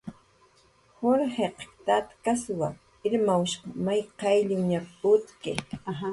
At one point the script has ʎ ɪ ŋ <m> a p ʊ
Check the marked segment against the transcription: incorrect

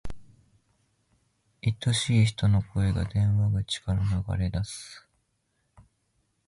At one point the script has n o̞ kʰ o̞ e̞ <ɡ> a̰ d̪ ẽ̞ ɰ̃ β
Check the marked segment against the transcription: correct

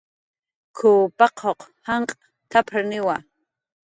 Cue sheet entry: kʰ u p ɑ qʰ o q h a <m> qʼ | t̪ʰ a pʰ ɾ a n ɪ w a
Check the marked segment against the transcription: incorrect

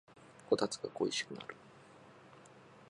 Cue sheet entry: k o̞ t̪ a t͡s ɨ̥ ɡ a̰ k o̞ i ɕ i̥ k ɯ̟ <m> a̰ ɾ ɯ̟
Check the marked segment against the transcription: incorrect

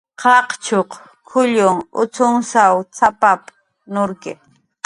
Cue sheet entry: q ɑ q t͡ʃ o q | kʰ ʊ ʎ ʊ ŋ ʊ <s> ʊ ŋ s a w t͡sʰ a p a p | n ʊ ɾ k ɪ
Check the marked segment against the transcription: incorrect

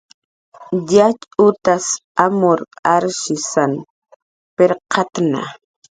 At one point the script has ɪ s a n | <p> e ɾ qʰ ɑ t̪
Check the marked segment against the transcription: correct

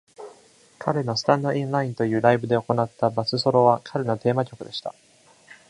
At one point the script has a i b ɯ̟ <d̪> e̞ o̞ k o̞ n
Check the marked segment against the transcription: correct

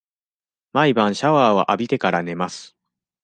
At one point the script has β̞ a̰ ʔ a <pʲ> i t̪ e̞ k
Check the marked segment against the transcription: incorrect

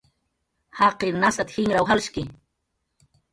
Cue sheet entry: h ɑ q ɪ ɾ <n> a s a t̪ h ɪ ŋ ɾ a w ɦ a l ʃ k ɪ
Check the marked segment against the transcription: correct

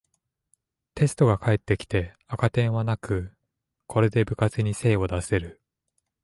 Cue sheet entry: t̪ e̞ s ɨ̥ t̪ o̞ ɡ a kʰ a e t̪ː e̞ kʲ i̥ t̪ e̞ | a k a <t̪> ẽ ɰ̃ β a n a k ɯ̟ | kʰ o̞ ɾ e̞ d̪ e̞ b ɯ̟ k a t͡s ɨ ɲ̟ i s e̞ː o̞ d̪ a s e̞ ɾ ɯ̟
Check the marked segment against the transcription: correct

